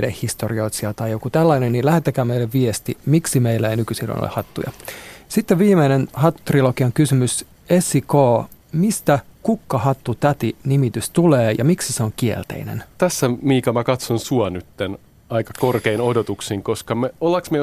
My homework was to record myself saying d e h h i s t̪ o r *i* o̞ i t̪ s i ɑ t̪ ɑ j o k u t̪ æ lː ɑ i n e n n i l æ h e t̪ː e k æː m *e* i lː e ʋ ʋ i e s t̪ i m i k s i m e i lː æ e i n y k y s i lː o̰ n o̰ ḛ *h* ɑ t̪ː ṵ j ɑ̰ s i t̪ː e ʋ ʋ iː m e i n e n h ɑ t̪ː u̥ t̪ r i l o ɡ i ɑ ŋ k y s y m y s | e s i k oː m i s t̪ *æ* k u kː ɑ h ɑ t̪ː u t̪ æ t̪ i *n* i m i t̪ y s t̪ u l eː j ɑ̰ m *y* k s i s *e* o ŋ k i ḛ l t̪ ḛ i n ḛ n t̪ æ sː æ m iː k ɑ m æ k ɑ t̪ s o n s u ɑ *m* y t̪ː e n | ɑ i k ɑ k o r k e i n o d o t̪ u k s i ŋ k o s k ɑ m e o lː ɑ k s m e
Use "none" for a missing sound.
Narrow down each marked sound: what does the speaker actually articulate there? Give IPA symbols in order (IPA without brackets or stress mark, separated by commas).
i, e, h, æ, n, i, e, n